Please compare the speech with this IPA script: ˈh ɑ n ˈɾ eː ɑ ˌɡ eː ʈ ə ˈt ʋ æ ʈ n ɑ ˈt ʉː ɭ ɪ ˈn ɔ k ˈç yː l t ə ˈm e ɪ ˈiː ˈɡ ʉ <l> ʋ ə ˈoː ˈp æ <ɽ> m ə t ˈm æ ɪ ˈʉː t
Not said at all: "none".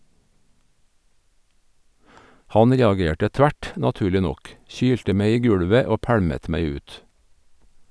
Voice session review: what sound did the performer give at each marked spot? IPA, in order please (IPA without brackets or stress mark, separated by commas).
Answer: ɽ, ɽ